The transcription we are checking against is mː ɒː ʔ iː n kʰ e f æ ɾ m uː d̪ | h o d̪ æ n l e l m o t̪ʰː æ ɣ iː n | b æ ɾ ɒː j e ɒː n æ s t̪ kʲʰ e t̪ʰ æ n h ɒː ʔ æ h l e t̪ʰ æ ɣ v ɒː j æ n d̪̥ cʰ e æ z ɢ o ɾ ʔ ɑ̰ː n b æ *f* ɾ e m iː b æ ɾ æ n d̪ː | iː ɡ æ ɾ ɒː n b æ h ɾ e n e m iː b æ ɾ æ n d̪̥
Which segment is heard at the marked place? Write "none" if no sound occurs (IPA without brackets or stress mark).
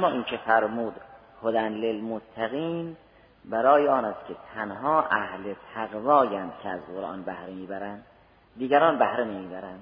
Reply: h